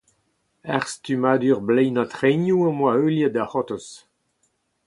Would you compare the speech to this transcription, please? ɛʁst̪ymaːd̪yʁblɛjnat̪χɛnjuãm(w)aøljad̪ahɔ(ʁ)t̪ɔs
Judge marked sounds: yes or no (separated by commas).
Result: yes, no